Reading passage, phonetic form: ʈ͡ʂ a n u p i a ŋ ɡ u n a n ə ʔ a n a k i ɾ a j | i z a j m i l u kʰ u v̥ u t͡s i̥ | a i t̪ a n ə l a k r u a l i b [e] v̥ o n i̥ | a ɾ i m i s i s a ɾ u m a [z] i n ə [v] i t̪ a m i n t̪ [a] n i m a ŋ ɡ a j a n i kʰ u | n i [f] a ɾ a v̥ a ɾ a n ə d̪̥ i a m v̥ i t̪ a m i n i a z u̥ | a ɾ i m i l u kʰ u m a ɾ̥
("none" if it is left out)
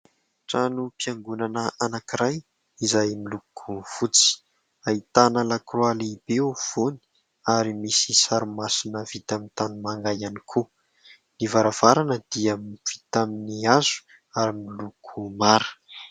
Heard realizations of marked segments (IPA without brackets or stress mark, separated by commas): e, s, v, a, v